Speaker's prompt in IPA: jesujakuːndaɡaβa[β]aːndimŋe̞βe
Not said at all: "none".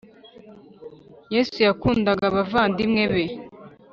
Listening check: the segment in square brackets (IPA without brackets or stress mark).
v